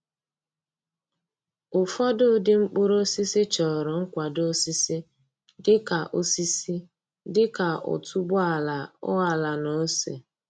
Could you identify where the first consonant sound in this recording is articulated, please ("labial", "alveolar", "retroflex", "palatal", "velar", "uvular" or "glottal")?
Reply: labial